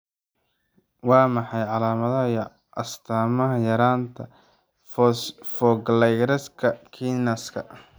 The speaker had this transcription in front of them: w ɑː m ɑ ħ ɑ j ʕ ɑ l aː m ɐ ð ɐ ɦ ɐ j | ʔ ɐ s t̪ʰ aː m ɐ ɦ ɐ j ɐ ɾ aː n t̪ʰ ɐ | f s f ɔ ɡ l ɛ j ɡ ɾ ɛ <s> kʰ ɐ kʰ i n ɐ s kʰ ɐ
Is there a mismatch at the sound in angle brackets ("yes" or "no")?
no